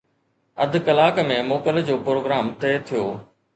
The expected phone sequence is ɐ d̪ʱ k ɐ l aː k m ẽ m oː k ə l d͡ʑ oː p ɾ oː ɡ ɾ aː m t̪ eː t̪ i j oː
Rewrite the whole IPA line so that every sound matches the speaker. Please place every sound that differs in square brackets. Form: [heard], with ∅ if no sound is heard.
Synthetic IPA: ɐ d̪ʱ k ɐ l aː k m ẽ m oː k ə l d͡ʑ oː p ɾ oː ɡ ɾ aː m t̪ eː [t̪ʰ] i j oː